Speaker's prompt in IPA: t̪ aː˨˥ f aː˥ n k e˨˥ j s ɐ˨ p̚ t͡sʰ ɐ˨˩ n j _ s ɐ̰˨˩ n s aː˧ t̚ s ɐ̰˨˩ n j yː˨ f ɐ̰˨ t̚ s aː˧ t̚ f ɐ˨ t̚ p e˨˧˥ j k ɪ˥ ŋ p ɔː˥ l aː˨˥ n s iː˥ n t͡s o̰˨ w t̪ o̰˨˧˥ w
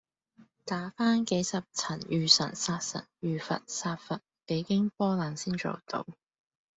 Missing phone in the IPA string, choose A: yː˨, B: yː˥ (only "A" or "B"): A